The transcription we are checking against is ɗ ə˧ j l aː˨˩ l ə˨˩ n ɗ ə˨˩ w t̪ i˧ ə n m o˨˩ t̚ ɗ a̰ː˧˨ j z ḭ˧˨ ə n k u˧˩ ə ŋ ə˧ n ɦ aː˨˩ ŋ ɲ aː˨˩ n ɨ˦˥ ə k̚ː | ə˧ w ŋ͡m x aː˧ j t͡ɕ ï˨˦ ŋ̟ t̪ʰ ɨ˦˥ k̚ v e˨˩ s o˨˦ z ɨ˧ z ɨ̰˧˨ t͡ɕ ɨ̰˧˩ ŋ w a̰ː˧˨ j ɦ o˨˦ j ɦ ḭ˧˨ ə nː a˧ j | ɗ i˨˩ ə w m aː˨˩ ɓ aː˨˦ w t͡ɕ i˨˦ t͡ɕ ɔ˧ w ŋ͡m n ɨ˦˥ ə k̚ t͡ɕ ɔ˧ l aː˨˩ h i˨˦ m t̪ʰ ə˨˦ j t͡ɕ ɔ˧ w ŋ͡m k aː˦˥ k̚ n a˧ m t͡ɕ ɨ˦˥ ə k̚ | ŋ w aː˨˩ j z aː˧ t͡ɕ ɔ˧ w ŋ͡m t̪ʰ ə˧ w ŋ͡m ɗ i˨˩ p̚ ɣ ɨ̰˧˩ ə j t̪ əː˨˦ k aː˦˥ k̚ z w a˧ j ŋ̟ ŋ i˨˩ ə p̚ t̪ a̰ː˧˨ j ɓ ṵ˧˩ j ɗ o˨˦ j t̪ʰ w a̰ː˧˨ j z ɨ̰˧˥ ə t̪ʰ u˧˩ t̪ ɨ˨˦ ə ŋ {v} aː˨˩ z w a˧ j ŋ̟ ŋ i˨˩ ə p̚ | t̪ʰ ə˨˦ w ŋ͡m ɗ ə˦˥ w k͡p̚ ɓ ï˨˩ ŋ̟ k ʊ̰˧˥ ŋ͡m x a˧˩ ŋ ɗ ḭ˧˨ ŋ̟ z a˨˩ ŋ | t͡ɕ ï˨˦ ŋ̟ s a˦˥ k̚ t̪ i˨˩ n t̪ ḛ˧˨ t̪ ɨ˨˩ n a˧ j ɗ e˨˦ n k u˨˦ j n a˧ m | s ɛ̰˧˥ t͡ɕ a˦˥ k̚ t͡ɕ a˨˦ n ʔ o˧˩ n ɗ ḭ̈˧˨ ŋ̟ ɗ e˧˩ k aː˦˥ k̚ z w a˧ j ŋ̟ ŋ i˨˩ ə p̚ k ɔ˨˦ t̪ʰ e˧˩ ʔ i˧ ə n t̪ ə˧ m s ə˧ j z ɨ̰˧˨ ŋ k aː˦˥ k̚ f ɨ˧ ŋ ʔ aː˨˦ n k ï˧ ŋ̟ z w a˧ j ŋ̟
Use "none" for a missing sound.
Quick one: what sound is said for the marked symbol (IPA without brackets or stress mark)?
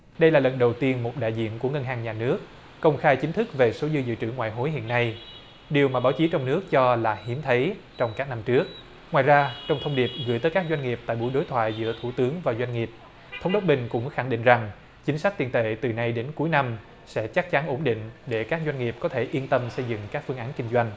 v